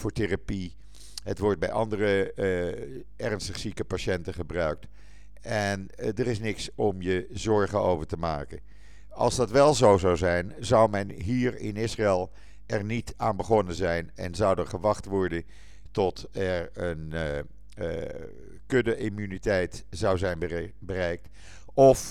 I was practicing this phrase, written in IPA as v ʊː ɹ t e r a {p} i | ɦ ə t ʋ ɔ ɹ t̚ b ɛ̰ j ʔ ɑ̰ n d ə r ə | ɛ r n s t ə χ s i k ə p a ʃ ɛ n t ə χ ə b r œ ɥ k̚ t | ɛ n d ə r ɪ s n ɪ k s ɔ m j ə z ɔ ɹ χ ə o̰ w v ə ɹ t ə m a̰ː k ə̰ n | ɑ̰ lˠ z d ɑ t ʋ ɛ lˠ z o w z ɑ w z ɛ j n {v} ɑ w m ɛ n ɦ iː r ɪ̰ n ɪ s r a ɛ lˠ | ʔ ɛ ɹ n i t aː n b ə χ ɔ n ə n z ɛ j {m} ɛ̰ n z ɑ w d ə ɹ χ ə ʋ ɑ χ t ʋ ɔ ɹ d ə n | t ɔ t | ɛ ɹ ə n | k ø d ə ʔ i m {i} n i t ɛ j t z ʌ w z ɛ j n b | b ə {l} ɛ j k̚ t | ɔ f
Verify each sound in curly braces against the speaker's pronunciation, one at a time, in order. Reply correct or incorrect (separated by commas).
correct, incorrect, incorrect, incorrect, incorrect